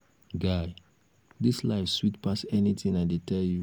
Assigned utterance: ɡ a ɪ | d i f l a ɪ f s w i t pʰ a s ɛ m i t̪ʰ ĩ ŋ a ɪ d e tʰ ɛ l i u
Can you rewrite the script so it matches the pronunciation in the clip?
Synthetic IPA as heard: ɡ a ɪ | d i s l a ɪ f s w i t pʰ a s ɛ n i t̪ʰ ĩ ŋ a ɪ d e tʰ ɛ l j u